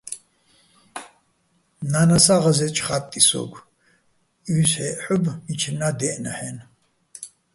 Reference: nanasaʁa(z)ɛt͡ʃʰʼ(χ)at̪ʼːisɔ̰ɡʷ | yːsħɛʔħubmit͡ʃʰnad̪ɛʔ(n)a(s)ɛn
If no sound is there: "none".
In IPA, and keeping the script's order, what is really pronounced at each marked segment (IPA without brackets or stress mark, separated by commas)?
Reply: z, χ, n, ħ